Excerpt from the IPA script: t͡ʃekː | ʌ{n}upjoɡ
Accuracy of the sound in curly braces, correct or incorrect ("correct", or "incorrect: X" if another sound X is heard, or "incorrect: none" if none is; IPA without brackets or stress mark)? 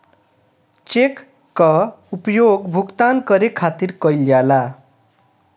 incorrect: none